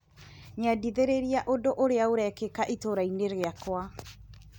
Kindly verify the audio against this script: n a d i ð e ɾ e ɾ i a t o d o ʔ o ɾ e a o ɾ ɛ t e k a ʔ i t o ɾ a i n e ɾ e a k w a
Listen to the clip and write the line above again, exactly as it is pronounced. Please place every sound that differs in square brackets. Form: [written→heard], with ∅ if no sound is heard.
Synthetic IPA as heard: [n→ɲ] a d i ð e ɾ e ɾ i a [t→ʔ] o d o ʔ o ɾ e a o ɾ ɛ [t→k] e k a ʔ i t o ɾ a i n e ɾ e a k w a